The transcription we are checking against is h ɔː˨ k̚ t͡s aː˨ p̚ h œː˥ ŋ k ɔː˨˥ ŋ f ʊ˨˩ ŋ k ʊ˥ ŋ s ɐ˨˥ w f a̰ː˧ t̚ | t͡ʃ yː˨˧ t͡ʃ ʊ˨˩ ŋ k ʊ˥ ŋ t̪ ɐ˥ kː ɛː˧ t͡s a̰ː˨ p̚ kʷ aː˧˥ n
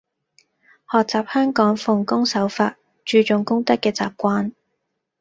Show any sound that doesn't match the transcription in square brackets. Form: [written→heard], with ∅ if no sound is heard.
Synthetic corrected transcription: h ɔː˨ k̚ t͡s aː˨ p̚ h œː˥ ŋ k ɔː˨˥ ŋ f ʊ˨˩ ŋ k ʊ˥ ŋ s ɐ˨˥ w f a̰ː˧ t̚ | t͡ʃ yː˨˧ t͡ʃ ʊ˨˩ ŋ k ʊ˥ ŋ t̪ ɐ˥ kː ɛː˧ t͡s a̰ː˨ p̚ kʷ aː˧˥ n